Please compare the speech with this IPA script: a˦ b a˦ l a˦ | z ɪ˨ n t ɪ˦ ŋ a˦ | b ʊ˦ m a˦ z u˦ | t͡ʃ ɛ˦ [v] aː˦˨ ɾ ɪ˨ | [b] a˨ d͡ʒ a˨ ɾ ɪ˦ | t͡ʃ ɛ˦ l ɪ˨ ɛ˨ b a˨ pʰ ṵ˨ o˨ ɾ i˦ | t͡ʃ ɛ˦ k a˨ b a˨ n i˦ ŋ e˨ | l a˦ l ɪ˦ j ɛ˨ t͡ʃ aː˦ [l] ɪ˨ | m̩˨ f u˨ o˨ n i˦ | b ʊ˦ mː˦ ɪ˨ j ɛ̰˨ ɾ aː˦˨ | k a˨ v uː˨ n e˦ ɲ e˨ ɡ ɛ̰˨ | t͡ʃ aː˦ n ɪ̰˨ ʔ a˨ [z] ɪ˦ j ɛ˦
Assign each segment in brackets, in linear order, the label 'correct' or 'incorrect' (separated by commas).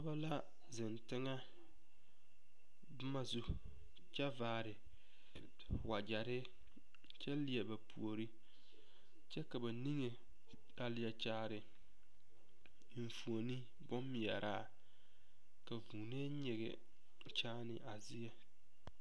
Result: correct, incorrect, incorrect, correct